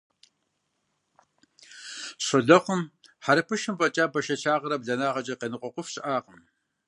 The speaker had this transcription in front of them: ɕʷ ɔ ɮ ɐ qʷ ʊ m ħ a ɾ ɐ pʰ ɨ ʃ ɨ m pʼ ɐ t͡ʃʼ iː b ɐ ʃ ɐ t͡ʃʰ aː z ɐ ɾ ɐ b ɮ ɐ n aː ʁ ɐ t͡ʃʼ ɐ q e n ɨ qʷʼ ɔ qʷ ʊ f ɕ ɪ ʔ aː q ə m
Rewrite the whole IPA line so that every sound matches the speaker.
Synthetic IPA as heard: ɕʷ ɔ ɮ ɐ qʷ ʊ m ħ a ɾ ɐ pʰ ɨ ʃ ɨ m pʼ ɐ t͡ʃʼ aː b ɐ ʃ ɐ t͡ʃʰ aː ʁ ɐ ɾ ɐ b ɮ ɐ n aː ʁ ɐ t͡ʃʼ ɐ q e n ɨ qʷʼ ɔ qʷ ʊ f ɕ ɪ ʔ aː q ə m